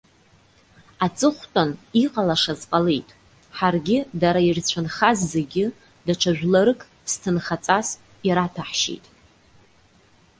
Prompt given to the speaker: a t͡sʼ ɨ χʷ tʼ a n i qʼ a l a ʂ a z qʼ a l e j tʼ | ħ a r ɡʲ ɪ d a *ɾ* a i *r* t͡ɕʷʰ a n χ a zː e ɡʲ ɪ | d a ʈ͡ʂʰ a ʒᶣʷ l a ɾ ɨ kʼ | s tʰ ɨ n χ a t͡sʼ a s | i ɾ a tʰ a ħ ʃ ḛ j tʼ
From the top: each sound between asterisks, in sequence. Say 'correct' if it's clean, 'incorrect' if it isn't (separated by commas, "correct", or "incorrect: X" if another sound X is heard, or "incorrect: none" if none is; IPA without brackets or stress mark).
correct, correct